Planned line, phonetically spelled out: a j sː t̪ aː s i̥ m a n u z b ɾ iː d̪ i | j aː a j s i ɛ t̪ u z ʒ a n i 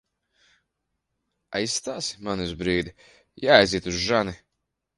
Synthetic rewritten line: a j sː t̪ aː s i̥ m a n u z b ɾ iː d̪ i | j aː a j z i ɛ t̪ u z ʒ a n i